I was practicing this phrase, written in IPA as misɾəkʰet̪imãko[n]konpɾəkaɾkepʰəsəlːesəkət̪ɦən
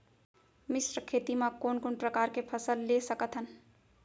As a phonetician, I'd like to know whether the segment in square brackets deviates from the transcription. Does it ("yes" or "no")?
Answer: no